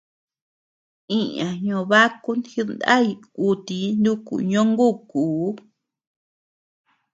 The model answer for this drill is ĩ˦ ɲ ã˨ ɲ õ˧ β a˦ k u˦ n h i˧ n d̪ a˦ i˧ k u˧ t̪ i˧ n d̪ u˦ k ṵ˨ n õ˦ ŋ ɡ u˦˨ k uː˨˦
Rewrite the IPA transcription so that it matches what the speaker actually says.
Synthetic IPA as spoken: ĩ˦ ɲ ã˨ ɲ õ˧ β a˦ k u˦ n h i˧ n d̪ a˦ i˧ k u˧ t̪ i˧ n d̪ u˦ k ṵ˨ ɲ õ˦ ŋ ɡ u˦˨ k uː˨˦